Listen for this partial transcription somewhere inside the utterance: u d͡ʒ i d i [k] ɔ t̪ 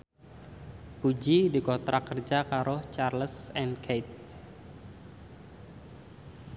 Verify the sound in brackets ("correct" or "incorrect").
correct